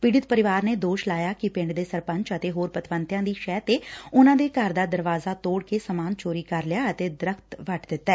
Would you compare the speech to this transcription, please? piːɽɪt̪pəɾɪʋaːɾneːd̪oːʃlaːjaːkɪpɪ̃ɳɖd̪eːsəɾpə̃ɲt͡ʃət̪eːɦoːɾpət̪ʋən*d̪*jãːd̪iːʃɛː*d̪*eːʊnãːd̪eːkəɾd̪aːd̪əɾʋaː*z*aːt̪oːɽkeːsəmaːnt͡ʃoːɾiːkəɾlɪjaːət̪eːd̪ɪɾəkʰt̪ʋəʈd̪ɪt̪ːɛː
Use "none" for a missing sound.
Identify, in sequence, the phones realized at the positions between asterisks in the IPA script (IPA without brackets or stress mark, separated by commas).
t̪, t̪, z